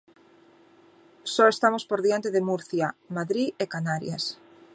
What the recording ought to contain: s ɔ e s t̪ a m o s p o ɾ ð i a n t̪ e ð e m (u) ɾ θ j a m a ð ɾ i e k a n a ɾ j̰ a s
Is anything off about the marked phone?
no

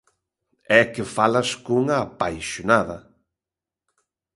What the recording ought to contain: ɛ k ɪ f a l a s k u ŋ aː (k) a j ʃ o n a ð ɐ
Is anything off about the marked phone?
yes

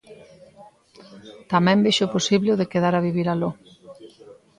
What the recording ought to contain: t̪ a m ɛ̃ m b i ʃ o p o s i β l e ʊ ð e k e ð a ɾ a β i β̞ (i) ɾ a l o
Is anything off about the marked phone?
no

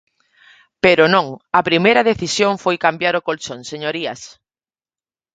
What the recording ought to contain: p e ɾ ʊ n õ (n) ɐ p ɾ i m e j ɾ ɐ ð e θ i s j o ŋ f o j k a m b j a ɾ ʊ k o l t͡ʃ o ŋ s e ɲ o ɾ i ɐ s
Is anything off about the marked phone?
yes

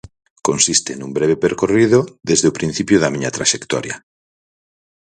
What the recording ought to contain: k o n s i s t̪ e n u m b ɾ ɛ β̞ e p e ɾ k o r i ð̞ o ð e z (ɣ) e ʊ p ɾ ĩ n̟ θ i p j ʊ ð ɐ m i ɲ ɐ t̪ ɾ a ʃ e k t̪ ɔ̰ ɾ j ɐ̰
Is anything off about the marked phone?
yes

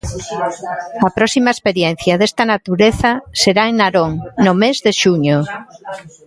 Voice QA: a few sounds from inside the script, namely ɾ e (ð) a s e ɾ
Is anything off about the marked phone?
yes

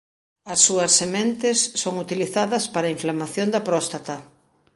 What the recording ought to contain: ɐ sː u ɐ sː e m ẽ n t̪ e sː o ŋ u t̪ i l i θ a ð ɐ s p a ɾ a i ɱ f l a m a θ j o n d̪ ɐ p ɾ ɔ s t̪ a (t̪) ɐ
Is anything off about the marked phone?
no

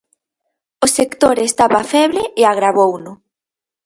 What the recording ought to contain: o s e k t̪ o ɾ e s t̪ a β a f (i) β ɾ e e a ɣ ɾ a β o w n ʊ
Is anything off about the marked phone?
yes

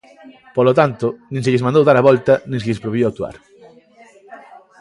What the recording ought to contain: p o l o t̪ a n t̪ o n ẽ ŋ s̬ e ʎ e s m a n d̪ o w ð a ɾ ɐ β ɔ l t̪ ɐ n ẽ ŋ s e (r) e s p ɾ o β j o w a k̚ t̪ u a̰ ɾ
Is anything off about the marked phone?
yes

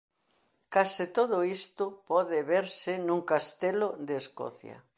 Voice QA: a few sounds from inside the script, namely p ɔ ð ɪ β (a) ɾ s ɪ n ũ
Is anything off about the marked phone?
yes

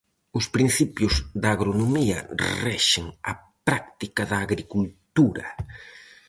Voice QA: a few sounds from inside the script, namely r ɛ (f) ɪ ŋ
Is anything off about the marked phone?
yes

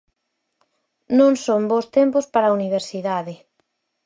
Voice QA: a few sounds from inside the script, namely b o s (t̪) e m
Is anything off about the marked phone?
no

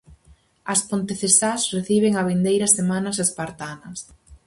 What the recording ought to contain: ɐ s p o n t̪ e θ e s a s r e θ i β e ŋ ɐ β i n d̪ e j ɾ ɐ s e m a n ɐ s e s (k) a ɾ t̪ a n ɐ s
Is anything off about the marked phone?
yes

